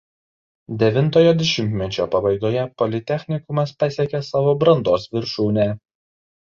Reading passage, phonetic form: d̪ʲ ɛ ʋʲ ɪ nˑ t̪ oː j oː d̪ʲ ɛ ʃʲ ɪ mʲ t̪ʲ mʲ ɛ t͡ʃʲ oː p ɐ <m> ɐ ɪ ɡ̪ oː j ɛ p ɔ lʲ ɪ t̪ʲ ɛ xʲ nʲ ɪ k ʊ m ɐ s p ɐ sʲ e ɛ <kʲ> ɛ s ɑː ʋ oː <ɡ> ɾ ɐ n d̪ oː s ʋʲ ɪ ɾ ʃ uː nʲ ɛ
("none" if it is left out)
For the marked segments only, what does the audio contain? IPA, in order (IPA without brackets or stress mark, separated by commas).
b, kʲ, b